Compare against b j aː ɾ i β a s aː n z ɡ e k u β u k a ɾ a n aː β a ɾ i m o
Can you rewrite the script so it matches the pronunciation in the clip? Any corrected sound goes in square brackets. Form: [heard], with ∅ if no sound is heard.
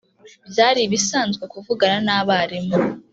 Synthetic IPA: b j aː ɾ i β [i] s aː n z ɡ e k u [v] u [ɡ] a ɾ a n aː β a ɾ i m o

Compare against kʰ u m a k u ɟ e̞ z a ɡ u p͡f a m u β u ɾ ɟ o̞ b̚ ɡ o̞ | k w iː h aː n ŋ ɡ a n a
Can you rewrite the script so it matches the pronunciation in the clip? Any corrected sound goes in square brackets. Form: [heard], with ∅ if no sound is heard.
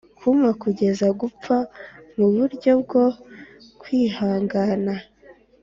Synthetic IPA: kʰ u m a k u ɟ e̞ z a ɡ u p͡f a m u β u ɾ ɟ o̞ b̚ ɡ o̞ | k w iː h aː [∅] ŋ ɡ a n a

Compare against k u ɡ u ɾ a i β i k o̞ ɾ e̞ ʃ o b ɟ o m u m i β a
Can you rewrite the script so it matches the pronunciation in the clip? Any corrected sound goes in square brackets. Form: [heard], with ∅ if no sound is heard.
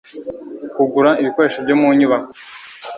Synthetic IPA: k u ɡ u ɾ a i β i k o̞ ɾ e̞ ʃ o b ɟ o m u [ɲ] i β a

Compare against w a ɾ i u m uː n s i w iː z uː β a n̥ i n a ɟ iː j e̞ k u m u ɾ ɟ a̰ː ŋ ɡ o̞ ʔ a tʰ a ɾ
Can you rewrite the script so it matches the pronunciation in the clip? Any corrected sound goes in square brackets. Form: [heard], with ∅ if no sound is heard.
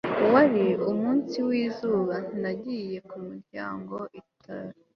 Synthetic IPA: w a ɾ i u m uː n s i w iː z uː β a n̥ i n a ɟ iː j e̞ k u m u ɾ ɟ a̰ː ŋ ɡ o̞ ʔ [i] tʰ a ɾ

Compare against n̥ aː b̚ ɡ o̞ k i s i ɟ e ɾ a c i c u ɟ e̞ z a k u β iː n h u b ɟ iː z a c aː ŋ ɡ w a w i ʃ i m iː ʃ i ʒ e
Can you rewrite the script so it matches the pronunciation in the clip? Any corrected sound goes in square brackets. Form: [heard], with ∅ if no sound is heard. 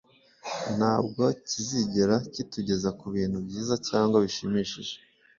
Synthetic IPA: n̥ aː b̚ ɡ o̞ [c] i [z] i ɟ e ɾ a c i [t] u ɟ e̞ z a k u β iː n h u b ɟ iː z a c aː ŋ ɡ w a [β] i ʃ i m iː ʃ i ʒ e

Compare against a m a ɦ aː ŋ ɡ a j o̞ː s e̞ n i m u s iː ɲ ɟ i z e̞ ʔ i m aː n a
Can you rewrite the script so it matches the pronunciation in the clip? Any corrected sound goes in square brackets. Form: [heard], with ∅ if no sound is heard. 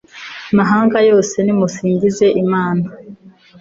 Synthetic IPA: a m a ɦ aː ŋ ɡ a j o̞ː s e̞ n i m u s iː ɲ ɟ i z e̞ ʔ i m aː n a

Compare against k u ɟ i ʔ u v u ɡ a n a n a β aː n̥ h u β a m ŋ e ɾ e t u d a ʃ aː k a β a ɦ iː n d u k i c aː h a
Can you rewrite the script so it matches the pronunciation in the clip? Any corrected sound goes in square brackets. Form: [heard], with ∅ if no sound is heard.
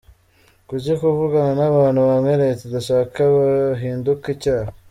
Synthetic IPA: k u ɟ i [k] u v u ɡ a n a n a β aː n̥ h u β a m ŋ e ɾ e t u d a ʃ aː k a β a ɦ iː n d u k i c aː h a

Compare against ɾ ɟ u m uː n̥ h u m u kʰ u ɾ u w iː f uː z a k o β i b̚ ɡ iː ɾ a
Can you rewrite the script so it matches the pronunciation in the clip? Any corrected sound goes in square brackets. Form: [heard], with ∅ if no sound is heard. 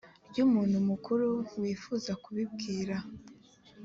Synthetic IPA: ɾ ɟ u m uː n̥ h u m u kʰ u ɾ u w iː f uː z a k [u] β i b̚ ɡ iː ɾ a

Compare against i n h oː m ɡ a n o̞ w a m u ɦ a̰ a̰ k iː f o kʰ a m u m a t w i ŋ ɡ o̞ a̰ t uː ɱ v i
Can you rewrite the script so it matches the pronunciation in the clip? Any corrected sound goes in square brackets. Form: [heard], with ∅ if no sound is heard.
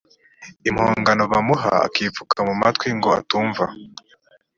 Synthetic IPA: i [m] h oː [ŋ] ɡ a n o̞ [β] a m u ɦ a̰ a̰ k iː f [u] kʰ a m u m a t w i ŋ ɡ o̞ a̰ t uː ɱ v [a]

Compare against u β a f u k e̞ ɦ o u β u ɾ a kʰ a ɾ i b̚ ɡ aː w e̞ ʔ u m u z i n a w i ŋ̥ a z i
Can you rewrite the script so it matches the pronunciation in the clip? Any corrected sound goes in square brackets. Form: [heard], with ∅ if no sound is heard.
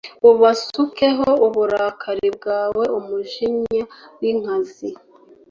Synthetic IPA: u β a [s] u k e̞ ɦ o u β u ɾ a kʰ a ɾ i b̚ ɡ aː w e̞ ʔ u m u [ʒ] i [ɲ] a w i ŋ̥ a z i

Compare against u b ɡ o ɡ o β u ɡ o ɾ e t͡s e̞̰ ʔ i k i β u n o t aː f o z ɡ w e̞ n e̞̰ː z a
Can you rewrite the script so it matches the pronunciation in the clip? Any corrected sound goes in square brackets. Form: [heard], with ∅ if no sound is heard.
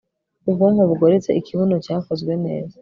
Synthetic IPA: u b ɡ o [ŋ] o β u ɡ o ɾ e t͡s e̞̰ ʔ i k i β u n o [c] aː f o z ɡ w e̞ n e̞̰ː z a

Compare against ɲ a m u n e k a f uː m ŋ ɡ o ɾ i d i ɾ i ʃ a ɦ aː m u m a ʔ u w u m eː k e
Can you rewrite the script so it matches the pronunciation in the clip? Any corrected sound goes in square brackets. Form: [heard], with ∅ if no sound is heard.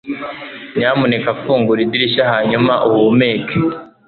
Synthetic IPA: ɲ a m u n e k a f uː [∅] ŋ ɡ [u] ɾ i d i ɾ i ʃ a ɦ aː [ɲ] u m a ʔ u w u m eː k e

